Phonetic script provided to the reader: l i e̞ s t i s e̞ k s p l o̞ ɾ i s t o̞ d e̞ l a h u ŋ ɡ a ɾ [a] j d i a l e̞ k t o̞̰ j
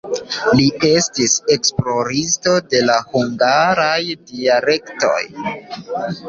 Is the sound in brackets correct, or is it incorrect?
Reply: correct